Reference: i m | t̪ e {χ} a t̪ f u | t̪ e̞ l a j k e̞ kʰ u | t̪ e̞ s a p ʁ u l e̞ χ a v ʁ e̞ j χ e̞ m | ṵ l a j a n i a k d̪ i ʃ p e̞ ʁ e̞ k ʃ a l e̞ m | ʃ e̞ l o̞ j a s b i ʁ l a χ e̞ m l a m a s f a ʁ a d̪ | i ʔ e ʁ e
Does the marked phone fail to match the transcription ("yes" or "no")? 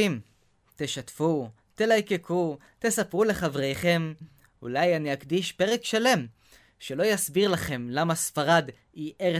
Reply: yes